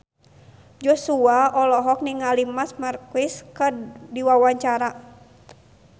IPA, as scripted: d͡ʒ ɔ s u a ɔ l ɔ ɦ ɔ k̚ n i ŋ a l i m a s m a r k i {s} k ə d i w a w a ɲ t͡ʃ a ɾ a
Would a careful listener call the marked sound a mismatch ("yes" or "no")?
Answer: no